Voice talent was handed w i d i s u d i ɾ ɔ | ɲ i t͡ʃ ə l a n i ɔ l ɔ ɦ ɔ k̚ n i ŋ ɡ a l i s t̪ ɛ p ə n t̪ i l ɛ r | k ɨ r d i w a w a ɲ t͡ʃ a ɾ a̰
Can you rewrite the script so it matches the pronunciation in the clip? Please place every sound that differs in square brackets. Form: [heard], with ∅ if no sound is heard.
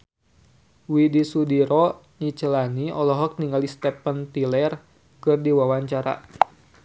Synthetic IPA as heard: w i d i s u d i ɾ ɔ | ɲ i t͡ʃ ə l a n i ɔ l ɔ ɦ ɔ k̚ n i ŋ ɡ a l i s t̪ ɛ p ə n t̪ i l ɛ r | k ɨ r d i w a w a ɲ t͡ʃ a ɾ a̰